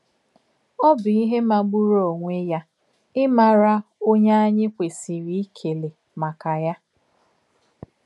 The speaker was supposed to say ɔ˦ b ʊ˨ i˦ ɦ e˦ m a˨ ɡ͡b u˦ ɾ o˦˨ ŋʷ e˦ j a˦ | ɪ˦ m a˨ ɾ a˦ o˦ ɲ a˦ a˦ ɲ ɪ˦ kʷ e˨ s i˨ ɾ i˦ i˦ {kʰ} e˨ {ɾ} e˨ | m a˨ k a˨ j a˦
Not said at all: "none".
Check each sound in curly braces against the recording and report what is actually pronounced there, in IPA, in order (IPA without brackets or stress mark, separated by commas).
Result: kʰ, l